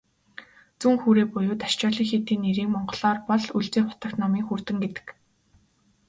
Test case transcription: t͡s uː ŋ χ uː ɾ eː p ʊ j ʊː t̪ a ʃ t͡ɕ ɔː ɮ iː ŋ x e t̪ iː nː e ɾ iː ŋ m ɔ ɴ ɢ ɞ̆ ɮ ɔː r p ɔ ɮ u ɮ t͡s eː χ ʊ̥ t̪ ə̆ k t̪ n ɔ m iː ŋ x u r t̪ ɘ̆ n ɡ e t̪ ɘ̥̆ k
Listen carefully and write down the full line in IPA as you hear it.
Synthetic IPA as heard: t͡s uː ŋ x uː ɾ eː p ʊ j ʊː t̪ a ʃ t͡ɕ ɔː ɮ iː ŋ x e t̪ iː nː e ɾ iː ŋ m ɔ ɴ ɢ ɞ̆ ɮ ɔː r p ɔ ɮ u ɮ t͡s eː χ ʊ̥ t̪ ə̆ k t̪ n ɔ m iː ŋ x u r t̪ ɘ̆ ŋ ɡ e t̪ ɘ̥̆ k

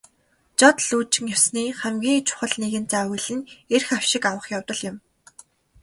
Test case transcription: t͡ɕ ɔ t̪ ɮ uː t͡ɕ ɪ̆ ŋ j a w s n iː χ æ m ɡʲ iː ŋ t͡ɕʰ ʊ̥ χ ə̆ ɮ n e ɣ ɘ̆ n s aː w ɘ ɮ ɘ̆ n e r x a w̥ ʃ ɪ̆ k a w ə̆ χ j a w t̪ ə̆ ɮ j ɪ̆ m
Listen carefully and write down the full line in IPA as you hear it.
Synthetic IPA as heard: t͡ɕ ɔ t̪ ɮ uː t͡ɕ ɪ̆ ŋ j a w s n iː χ æ m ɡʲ iː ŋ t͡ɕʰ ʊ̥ χ ə̆ ɮ n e ɣ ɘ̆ n t͡s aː w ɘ ɮ ɘ̆ n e r x a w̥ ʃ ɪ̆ k a w ə̆ χ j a w t̪ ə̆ ɮ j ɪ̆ m

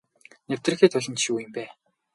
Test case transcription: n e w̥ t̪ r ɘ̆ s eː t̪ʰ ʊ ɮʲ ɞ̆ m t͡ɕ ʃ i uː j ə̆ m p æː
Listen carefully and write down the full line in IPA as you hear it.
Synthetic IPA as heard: n e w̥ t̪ r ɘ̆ x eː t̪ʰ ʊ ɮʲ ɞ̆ n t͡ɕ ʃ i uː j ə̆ m p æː

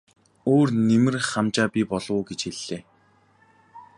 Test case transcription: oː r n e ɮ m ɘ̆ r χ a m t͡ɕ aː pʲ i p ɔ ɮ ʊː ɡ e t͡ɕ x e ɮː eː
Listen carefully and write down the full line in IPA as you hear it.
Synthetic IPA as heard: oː r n e m ɘ̆ r χ a m t͡ɕ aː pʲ i p ɔ ɮ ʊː ɡ e t͡ɕ x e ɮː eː

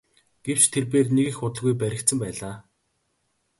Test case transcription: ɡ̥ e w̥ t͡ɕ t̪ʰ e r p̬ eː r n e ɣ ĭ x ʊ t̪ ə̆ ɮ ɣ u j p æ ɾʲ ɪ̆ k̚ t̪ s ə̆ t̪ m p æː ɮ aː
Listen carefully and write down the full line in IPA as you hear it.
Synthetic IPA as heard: ɡ̥ e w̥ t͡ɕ t̪ʰ e r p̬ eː r n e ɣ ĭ x ʊ t̪ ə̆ ɮ ɣ u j p æ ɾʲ ɪ̆ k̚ t̪ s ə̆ m p æː ɮ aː

